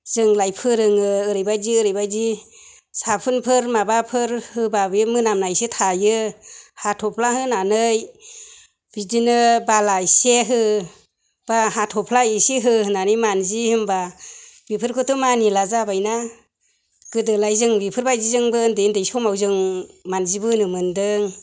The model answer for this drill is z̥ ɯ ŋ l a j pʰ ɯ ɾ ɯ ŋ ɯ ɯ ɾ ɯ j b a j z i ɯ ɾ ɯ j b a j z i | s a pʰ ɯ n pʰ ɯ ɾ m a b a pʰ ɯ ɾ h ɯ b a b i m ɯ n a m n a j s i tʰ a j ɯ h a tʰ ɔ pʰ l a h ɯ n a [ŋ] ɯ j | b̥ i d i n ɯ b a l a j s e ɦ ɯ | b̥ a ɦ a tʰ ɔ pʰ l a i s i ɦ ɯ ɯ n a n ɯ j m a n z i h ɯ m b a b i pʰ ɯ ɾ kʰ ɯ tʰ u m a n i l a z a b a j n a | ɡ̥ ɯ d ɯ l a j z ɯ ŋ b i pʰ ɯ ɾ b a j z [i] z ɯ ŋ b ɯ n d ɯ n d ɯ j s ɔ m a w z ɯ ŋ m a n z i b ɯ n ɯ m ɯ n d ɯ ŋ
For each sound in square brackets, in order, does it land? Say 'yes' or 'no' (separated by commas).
no, yes